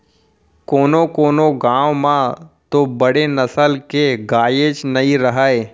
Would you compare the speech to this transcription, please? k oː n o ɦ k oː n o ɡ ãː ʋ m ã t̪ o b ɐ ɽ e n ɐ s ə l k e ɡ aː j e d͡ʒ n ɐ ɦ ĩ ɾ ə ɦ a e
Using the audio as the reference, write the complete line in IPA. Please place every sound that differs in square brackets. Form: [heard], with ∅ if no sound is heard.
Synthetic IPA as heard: k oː n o [∅] k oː n o ɡ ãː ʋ m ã t̪ o b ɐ ɽ e n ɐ s ə l k e ɡ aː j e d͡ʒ n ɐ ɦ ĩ ɾ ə ɦ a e